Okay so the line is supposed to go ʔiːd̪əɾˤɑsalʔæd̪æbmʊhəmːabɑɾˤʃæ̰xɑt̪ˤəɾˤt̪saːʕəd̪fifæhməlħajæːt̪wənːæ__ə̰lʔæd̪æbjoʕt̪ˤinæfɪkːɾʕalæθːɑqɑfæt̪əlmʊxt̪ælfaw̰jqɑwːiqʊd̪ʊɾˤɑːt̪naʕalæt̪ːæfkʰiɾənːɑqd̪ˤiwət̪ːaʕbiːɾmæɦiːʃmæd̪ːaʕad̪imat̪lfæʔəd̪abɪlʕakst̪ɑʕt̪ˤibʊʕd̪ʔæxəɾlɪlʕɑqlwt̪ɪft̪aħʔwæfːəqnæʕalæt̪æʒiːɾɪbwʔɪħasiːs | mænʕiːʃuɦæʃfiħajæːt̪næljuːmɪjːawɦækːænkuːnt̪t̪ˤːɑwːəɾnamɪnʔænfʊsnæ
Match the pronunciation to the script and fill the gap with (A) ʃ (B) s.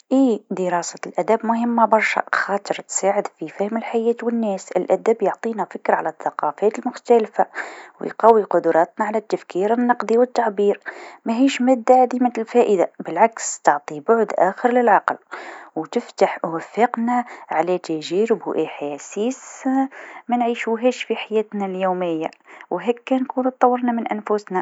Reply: B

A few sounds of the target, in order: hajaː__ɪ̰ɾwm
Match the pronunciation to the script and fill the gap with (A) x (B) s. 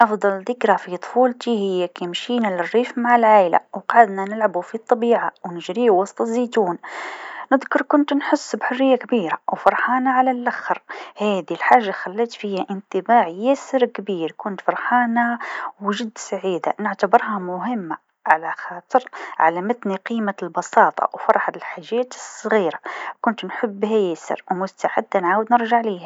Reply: B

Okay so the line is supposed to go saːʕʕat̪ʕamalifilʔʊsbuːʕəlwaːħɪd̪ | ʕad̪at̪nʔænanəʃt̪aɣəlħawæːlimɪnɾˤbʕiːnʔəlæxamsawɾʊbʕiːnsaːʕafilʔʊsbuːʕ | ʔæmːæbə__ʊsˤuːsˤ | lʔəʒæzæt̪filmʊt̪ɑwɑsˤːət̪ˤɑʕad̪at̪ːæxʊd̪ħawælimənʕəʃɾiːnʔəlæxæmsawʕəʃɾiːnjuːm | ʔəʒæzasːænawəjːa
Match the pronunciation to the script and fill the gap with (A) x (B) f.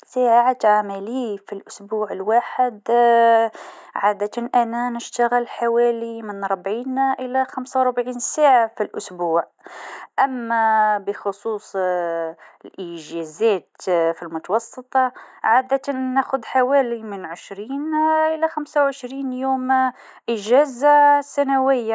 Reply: A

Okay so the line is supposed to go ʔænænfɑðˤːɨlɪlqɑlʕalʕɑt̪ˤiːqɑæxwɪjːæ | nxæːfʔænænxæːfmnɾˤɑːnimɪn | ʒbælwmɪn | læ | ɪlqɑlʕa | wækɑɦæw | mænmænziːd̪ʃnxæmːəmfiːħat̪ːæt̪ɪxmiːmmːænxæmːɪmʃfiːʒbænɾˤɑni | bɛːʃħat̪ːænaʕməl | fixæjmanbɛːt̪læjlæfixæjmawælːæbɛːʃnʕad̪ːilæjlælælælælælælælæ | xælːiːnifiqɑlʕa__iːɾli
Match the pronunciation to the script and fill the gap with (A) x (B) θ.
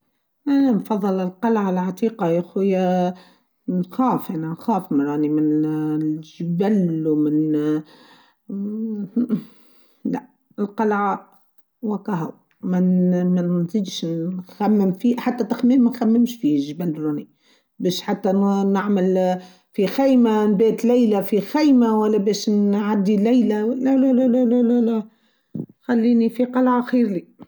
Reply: A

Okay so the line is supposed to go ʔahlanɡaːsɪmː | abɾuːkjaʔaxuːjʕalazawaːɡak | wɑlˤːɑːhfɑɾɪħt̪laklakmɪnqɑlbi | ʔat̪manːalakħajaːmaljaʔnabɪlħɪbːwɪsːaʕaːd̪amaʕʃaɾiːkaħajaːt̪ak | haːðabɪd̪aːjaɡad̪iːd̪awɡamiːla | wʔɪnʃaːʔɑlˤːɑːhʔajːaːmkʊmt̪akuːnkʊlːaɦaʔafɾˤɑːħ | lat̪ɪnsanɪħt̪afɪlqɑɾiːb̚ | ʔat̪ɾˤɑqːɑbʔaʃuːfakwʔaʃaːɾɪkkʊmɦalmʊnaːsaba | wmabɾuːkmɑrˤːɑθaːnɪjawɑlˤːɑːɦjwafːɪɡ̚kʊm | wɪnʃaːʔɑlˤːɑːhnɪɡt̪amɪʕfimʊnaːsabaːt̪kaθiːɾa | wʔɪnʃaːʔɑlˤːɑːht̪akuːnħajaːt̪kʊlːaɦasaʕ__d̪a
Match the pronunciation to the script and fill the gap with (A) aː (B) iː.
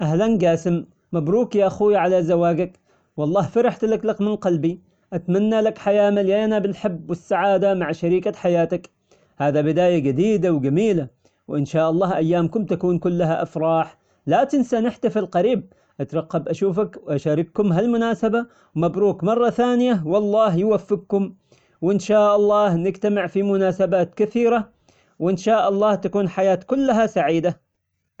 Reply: B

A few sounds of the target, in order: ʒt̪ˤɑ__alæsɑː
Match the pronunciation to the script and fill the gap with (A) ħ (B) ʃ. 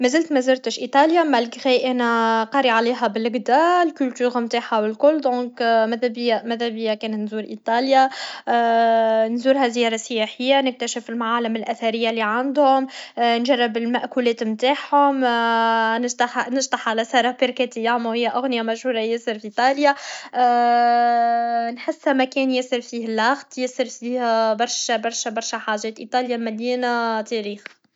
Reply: A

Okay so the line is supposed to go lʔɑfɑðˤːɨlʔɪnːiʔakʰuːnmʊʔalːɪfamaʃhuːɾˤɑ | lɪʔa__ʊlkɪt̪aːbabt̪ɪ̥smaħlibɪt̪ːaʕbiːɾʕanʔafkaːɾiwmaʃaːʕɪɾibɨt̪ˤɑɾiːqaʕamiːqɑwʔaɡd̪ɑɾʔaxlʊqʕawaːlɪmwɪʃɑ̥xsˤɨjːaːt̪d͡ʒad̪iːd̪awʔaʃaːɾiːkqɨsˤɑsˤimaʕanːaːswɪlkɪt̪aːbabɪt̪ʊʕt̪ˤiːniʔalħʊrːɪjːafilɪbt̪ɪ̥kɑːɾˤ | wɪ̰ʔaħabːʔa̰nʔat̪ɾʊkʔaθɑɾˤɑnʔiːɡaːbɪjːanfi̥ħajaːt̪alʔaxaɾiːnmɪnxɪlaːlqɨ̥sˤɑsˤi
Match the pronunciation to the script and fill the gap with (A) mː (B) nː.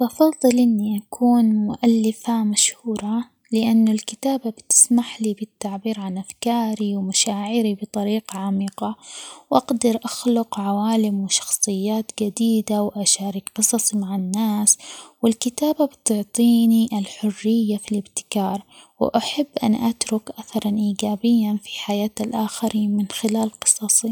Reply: B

